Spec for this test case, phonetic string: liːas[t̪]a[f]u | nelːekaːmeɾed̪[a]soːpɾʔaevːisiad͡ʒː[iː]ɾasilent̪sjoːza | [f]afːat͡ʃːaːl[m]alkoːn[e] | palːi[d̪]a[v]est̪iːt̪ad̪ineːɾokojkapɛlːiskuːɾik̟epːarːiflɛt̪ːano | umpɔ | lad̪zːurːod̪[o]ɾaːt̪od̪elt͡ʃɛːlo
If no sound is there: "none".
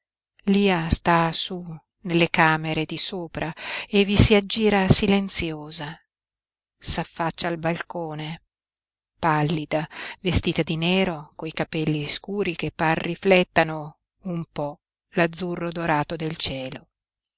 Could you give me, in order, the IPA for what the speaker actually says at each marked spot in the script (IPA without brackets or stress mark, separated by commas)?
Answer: t̪, s, i, iː, s, b, e, d̪, v, o